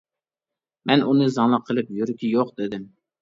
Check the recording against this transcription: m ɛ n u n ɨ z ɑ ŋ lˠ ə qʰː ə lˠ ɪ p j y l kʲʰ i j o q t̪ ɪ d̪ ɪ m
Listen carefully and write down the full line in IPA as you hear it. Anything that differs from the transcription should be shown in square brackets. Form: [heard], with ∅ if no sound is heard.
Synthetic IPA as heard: m ɛ n u n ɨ z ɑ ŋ lˠ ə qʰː ə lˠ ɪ p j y [ɾ] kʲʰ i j o q [d̪] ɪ d̪ ɪ m